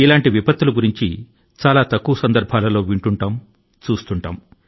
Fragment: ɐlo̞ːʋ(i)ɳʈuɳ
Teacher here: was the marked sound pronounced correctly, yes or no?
yes